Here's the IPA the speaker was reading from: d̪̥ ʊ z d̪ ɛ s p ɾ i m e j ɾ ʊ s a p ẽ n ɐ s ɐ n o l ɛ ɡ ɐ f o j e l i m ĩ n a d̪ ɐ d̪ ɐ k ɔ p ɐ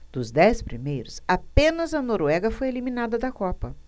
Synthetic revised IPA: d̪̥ ʊ z d̪ ɛ s p ɾ i m e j ɾ ʊ s a p ẽ n ɐ z ɐ n o ɾ ɛ ɡ ɐ f o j e l i m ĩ n a d̪ ɐ d̪ ɐ k ɔ p ɐ